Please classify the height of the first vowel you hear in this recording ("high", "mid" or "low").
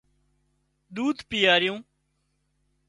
high